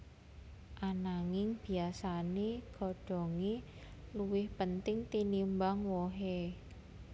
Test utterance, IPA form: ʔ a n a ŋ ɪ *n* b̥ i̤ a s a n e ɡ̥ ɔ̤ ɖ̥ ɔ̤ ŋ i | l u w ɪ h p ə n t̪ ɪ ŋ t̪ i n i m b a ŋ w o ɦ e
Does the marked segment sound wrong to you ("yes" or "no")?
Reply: yes